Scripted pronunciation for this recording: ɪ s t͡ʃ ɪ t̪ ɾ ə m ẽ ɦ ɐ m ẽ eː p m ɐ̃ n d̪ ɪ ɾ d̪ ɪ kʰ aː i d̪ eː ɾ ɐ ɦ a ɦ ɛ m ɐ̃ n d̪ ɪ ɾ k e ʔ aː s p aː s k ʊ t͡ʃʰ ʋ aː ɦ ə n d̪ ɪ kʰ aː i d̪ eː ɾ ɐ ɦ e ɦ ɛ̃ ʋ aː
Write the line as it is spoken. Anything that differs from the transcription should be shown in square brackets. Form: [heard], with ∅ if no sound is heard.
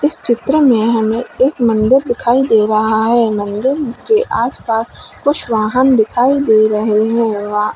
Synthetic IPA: ɪ s t͡ʃ ɪ t̪ ɾ ə m ẽ ɦ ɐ m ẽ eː [k] m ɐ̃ n d̪ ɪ ɾ d̪ ɪ kʰ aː i d̪ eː ɾ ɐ ɦ a ɦ ɛ m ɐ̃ n d̪ ɪ ɾ k e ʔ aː s p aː s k ʊ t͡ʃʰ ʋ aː ɦ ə n d̪ ɪ kʰ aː i d̪ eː ɾ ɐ ɦ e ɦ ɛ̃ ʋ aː